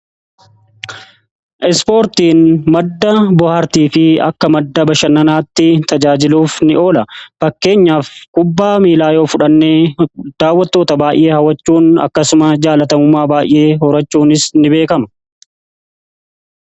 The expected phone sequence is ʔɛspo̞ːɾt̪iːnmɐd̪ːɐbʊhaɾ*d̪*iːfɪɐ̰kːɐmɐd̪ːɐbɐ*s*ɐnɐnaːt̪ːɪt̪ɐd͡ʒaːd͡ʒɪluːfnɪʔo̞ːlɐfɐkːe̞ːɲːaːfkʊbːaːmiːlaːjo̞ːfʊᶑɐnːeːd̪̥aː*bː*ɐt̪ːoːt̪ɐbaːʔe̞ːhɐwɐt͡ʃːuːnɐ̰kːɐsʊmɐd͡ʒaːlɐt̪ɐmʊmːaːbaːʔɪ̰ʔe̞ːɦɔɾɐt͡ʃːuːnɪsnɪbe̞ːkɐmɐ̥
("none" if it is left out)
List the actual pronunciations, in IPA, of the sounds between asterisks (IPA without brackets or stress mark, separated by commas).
t̪, ʃ, wː